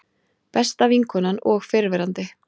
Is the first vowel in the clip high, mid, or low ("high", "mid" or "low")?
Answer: mid